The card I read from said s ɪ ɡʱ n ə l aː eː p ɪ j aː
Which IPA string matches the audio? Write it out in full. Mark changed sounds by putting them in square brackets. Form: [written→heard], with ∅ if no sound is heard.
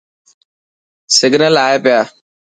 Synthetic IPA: s ɪ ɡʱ n ə l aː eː p ɪ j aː